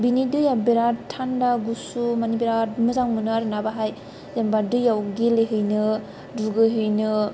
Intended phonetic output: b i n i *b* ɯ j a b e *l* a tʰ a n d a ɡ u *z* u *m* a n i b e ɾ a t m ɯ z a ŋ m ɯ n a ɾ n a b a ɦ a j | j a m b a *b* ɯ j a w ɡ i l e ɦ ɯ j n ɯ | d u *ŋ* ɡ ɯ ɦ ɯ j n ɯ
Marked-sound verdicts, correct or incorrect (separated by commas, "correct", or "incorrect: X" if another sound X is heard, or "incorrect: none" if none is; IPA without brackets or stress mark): incorrect: d, incorrect: ɾ, incorrect: s, correct, incorrect: d, incorrect: none